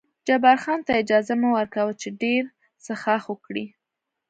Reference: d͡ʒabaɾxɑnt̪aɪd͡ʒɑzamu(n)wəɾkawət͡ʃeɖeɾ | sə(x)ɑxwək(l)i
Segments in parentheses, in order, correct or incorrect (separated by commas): incorrect, correct, incorrect